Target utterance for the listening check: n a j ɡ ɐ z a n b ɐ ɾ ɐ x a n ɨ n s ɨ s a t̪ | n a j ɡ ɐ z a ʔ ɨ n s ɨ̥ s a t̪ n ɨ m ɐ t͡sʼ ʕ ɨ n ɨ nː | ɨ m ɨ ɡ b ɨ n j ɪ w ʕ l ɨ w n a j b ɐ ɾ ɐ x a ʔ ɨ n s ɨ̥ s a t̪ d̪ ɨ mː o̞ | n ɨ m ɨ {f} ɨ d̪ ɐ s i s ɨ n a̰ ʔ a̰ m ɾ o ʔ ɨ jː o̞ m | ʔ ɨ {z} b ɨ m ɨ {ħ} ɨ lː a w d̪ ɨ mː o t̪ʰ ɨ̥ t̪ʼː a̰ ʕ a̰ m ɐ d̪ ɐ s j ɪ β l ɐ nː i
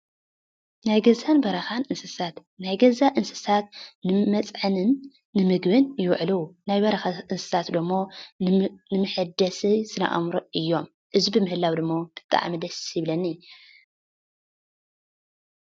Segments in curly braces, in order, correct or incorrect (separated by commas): incorrect, correct, incorrect